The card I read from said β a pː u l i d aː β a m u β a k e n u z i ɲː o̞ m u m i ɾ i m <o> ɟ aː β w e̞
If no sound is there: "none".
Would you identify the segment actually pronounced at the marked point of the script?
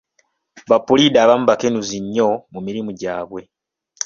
u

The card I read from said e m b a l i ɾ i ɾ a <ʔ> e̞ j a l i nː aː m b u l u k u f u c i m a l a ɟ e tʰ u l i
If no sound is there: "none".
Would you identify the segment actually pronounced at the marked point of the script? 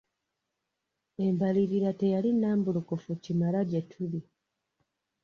t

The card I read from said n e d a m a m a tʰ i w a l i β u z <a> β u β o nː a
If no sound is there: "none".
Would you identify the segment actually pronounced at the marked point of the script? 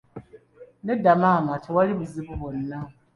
i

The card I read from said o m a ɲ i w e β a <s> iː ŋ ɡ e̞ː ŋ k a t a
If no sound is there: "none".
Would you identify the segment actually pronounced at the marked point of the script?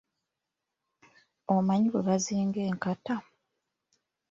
z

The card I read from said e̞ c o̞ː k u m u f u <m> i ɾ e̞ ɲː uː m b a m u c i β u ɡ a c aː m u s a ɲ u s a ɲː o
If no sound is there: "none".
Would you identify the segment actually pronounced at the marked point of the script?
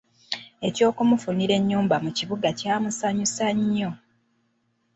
n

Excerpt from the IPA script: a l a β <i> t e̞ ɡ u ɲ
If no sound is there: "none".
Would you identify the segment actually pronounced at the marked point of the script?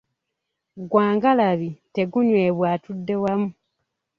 i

